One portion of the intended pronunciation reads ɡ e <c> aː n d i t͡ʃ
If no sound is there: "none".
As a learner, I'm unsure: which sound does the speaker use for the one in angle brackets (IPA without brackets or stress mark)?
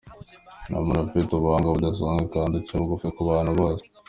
k